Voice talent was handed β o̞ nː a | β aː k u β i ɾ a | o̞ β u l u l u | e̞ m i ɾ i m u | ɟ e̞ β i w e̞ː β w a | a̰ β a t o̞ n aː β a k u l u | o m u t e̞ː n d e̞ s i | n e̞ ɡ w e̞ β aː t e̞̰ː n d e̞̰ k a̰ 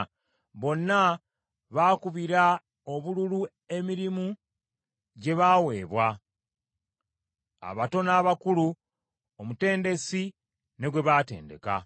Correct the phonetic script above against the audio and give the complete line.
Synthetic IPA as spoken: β o̞ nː a | β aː k u β i ɾ a | o̞ β u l u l u | e̞ m i ɾ i m u | ɟ e̞ β a w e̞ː β w a | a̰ β a t o̞ n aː β a k u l u | o m u t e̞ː n d e̞ s i | n e̞ ɡ w e̞ β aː t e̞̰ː n d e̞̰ k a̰

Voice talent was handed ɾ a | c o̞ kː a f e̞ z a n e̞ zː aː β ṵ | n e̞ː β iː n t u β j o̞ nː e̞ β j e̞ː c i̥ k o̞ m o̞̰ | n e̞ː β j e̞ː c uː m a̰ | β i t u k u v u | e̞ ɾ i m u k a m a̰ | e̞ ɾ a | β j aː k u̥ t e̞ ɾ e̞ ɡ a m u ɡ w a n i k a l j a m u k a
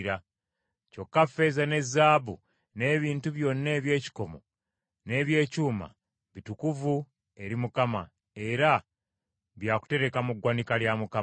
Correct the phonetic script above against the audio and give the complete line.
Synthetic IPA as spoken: ɾ a | c o̞ kː a f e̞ z a n e̞ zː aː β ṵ | n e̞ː β iː n t u β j o̞ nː e̞ β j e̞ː c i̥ k o̞ m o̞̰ | n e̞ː β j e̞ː c uː m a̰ | β i t u k u v u | e̞ ɾ i m u k a m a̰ | e̞ ɾ a | β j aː k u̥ t e̞ ɾ e̞ k a m u ɡ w a n i k a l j a m u k a

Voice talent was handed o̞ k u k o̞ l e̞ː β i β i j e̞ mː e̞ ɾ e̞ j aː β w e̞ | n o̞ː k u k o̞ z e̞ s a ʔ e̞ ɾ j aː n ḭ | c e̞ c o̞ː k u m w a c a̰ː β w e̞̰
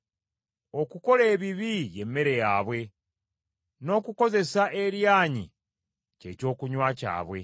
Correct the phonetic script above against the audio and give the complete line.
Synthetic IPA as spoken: o̞ k u k o̞ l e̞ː β i β i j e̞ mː e̞ ɾ e̞ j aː β w e̞ | n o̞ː k u k o̞ z e̞ s a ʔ e̞ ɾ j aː ɲ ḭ | c e̞ c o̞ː k u ɲ w a c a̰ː β w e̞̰

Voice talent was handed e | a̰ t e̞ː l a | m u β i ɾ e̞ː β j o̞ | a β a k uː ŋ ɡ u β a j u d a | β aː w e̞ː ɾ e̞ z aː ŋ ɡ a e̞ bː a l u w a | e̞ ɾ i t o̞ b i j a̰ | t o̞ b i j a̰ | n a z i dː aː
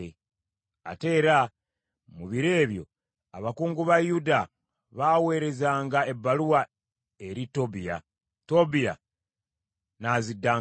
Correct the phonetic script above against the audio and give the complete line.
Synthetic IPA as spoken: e | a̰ t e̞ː ɾ a | m u β i ɾ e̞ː β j o̞ | a β a k uː ŋ ɡ u β a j u d a | β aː w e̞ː ɾ e̞ z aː ŋ ɡ a e̞ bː a l u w a | e̞ ɾ i t o̞ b i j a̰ | t o̞ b i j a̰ | n a z i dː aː

